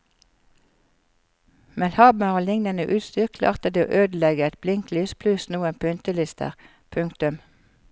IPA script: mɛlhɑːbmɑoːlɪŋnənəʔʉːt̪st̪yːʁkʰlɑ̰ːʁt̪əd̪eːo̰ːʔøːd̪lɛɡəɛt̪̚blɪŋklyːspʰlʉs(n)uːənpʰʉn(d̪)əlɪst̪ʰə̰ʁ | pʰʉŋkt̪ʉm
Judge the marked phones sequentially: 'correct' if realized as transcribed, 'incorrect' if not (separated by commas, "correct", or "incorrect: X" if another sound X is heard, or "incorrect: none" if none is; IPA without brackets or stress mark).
correct, incorrect: t̪